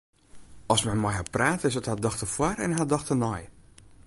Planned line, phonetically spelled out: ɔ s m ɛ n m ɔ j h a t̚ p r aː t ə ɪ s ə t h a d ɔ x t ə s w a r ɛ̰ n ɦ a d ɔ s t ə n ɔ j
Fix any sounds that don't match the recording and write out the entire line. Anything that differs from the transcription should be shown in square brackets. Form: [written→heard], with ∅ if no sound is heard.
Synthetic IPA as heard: ɔ s m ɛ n m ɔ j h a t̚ p r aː t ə ɪ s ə t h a d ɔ x t ə [s→f] w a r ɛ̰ n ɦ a d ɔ [s→x] t ə n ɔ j